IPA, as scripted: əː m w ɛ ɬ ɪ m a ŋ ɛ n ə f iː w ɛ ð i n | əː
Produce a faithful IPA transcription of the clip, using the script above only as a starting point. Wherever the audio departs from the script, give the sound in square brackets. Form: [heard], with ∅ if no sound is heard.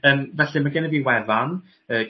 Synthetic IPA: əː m [v] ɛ ɬ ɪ m a [ɡ] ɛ n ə [v] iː w ɛ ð [a] n | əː